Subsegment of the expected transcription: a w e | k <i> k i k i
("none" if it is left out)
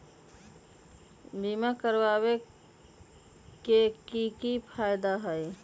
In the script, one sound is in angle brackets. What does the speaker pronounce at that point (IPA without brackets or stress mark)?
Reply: e